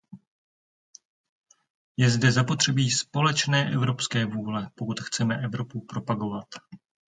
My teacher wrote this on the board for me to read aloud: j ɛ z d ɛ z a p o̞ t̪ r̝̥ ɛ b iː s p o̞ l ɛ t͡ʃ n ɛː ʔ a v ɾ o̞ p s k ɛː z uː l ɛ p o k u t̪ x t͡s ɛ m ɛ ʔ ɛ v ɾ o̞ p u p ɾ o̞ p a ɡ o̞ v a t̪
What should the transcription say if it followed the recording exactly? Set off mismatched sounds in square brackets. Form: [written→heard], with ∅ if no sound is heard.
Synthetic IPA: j ɛ z d ɛ z a p o̞ t̪ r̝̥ ɛ b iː s p o̞ l ɛ t͡ʃ n ɛː ʔ [a→ɛ] v ɾ o̞ p s k ɛː [z→v] uː l ɛ p o k u t̪ x t͡s ɛ m ɛ ʔ ɛ v ɾ o̞ p u p ɾ o̞ p a ɡ o̞ v a t̪